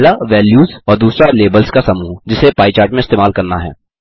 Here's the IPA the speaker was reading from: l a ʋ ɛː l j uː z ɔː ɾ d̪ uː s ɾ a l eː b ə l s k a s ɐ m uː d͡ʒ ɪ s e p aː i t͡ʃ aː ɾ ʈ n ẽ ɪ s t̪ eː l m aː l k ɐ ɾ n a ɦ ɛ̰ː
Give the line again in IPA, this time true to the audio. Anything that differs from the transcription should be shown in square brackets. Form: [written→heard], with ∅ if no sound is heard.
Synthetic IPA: l a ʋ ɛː l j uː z ɔː ɾ d̪ uː s ɾ a l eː b ə l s k a s ɐ m uː d͡ʒ ɪ s e p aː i t͡ʃ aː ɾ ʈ [n→m] ẽ ɪ s t̪ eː [l→∅] m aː l k ɐ ɾ n a ɦ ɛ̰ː